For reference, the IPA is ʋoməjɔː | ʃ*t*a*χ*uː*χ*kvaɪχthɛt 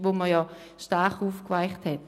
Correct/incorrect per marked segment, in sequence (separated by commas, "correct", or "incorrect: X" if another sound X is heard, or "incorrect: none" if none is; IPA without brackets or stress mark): correct, correct, incorrect: f